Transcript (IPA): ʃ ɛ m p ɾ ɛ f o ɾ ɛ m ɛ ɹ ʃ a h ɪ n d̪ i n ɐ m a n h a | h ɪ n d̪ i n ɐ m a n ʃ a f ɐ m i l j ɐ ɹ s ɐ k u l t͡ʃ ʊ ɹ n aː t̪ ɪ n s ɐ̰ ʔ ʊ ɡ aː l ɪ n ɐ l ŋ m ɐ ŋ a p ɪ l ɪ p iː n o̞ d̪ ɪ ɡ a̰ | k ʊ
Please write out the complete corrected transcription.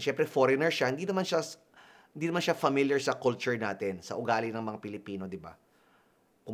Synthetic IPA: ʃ ɛ m p ɾ ɛ f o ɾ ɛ n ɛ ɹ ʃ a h ɪ n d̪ i n ɐ m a n ʃ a | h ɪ n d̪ i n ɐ m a n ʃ a f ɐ m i l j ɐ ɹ s ɐ k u l t͡ʃ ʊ ɹ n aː t̪ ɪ n s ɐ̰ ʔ ʊ ɡ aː l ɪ n ɐ ŋ m ɐ ŋ a p ɪ l ɪ p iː n o̞ d̪ ɪ b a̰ | k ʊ